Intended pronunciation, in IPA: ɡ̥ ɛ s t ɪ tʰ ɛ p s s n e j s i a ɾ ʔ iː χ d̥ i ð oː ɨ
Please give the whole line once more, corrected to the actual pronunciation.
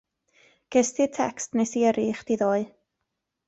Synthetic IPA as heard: ɡ̥ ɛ s t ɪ tʰ ɛ k s t n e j s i ə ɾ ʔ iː χ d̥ i ð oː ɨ